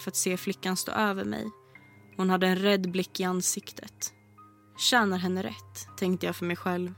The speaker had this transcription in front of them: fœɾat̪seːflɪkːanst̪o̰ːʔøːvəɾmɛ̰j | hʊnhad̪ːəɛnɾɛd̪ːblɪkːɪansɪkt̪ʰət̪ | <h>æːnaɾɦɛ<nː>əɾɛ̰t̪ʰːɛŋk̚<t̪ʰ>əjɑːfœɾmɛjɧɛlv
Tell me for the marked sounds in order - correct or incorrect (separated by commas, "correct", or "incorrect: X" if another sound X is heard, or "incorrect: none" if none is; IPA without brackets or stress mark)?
incorrect: ɕ, correct, incorrect: t̪